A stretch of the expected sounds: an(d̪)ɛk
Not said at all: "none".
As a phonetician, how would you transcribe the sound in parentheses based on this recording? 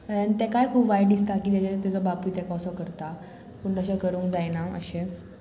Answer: t̪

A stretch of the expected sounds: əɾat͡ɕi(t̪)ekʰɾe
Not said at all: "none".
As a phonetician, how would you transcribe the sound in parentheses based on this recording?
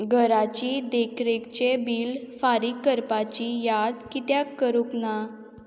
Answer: d̪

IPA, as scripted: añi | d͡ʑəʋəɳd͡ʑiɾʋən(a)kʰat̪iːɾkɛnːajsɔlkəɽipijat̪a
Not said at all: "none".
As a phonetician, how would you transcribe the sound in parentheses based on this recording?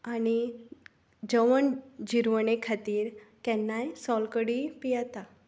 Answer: e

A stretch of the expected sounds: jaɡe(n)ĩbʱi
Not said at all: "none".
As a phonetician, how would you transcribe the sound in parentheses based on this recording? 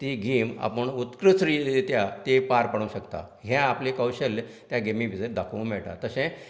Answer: m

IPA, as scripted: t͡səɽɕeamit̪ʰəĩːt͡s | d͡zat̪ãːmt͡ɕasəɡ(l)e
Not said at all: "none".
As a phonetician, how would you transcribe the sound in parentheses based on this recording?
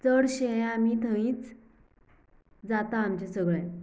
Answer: ɭ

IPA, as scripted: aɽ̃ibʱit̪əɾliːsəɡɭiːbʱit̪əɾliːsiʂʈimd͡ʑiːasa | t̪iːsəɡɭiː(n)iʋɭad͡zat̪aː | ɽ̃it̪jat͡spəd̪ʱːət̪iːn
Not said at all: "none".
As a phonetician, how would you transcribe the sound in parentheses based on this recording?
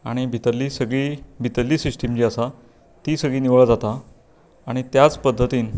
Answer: n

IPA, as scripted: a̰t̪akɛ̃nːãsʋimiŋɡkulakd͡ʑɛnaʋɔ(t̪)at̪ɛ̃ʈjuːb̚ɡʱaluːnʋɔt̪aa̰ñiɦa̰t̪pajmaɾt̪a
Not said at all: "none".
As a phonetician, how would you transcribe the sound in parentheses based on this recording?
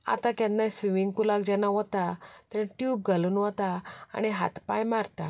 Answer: t̪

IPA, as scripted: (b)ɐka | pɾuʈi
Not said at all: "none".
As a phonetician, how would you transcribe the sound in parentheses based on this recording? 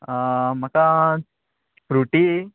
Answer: m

